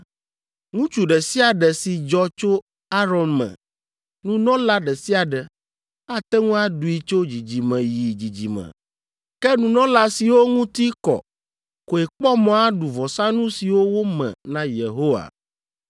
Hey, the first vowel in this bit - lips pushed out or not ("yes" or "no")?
yes